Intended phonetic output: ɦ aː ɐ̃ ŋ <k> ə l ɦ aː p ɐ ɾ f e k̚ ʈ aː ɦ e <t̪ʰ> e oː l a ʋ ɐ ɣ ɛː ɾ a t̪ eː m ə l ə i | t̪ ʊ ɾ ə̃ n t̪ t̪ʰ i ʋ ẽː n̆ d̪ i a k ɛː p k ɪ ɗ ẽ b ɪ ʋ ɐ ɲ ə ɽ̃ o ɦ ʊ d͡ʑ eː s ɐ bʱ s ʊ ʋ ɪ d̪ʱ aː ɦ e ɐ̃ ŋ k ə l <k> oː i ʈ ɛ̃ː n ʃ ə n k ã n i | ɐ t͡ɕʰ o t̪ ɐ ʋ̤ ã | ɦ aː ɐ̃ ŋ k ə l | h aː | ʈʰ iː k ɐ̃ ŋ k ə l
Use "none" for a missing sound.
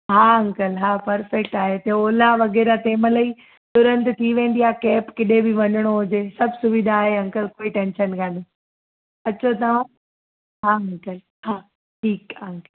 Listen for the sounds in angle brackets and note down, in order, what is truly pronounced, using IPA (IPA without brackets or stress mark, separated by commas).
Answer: k, t̪, k